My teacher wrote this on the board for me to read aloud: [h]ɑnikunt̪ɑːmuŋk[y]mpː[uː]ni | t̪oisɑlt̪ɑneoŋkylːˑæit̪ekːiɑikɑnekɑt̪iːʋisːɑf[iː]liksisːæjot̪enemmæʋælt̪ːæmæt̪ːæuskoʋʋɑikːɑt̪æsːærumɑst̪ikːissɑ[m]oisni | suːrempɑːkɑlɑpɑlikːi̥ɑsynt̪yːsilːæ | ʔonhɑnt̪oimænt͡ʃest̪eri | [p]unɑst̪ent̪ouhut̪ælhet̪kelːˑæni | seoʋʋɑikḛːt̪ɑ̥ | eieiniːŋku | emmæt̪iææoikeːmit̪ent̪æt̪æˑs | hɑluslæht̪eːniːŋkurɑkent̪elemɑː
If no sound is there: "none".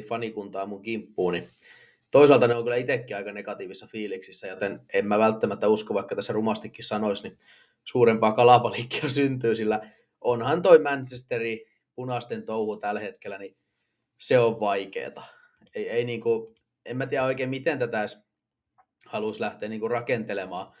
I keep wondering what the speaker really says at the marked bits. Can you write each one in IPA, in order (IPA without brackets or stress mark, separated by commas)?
f, i, uː, iː, n, p